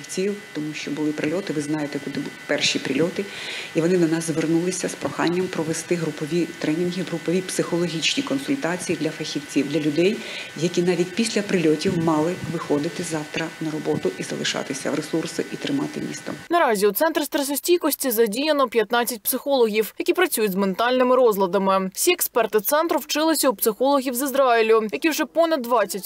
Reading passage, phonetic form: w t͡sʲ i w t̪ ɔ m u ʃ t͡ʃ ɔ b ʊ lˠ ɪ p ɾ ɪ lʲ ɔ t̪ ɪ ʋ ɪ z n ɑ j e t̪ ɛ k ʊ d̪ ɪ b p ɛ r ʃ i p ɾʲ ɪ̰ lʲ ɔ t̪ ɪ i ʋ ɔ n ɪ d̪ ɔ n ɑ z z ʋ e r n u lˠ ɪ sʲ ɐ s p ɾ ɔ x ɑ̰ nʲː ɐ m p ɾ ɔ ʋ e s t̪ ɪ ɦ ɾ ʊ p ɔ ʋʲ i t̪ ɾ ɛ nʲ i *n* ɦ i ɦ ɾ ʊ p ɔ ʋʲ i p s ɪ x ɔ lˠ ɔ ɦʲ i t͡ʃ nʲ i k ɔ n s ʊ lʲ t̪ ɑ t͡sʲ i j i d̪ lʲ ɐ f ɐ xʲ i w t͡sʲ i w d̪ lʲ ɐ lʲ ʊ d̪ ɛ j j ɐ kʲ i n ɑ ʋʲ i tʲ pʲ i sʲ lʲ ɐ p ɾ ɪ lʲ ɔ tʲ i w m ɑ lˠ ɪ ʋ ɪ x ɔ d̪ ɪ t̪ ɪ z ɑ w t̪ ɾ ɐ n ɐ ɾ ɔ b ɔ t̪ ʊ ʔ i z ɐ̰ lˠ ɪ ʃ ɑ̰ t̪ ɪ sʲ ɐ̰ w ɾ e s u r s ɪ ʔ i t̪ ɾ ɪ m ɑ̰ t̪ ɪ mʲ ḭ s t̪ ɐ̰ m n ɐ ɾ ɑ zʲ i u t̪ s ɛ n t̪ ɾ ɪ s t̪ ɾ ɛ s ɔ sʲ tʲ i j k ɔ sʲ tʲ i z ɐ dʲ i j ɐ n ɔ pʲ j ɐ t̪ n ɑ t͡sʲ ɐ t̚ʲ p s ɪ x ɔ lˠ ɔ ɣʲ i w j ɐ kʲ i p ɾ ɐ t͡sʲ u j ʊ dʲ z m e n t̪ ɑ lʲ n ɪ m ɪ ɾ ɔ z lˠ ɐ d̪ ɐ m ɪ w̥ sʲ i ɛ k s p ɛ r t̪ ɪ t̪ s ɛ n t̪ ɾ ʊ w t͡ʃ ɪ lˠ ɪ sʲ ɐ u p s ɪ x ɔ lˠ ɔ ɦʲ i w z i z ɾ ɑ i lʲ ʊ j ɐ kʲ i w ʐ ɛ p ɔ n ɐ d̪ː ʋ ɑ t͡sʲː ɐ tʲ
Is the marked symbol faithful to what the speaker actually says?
yes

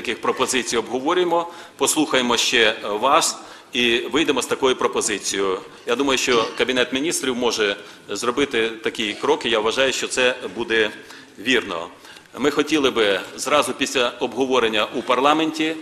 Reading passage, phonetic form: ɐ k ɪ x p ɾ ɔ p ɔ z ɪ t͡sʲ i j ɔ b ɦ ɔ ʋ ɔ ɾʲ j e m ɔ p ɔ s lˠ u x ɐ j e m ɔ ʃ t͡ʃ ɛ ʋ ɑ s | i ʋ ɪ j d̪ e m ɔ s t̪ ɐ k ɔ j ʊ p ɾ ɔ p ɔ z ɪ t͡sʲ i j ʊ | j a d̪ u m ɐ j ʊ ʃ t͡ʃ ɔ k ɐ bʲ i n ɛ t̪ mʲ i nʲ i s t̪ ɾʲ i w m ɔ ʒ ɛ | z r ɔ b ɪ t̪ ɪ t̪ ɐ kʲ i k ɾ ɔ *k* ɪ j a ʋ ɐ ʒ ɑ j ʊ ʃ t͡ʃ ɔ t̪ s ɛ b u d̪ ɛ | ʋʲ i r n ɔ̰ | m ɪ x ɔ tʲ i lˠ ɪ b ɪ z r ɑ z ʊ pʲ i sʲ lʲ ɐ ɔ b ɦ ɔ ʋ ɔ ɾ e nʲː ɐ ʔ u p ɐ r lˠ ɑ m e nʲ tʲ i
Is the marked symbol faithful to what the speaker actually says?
yes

